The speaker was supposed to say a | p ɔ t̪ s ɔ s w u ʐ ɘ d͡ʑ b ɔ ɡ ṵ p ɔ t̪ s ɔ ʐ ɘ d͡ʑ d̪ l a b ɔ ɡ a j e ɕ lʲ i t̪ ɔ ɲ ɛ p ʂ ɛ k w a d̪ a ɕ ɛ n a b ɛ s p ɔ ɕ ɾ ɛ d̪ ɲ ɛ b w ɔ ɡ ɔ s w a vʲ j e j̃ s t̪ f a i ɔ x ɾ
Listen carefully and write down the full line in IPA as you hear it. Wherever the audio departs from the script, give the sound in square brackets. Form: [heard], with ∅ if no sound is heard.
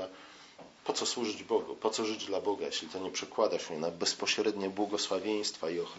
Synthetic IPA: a | p ɔ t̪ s ɔ s w u ʐ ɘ d͡ʑ b ɔ ɡ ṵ p ɔ t̪ s ɔ ʐ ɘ d͡ʑ d̪ l a b ɔ ɡ a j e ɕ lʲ i t̪ ɔ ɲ ɛ p ʂ ɛ k w a d̪ a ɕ ɛ n a b ɛ s p ɔ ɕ ɾ ɛ d̪ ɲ ɛ b w ɔ ɡ ɔ s w a vʲ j e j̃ s t̪ f a i ɔ x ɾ